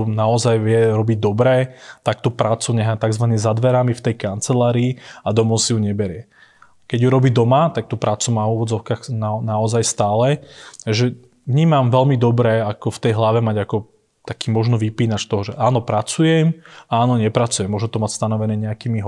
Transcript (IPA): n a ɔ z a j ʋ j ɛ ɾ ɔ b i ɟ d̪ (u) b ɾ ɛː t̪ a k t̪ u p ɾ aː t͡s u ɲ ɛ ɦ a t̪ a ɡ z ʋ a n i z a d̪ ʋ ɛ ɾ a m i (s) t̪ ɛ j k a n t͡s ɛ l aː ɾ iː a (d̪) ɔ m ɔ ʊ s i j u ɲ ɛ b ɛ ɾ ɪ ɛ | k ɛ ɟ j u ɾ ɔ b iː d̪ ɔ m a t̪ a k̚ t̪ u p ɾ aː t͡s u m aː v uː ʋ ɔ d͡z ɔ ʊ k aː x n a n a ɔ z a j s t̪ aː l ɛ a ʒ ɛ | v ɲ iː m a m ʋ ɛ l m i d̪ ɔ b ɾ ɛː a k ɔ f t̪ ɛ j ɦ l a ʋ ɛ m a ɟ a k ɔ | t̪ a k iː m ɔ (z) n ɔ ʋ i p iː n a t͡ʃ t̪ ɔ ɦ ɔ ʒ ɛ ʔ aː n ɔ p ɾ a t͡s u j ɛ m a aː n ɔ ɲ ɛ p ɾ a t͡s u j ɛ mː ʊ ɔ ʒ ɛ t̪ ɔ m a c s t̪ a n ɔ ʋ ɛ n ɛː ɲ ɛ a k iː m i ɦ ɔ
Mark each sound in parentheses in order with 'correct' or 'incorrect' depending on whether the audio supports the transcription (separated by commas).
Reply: incorrect, incorrect, correct, incorrect